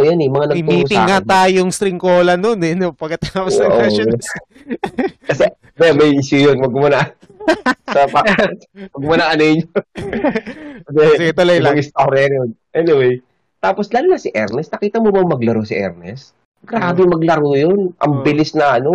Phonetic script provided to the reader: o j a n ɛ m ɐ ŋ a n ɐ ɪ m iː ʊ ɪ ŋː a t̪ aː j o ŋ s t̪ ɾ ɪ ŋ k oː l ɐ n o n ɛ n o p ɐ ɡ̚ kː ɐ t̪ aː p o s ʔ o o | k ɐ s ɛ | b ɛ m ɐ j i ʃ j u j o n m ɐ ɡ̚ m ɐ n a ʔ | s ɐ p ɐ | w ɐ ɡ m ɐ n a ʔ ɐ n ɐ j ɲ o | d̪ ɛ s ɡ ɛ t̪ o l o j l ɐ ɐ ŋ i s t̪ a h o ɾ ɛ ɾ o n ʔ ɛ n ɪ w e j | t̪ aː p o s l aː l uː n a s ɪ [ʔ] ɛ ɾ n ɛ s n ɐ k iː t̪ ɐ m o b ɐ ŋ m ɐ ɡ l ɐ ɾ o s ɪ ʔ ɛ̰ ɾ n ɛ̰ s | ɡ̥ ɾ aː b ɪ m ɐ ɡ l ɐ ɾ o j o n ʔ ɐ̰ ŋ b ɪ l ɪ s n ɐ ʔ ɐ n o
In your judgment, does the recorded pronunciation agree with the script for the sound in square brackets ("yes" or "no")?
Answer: yes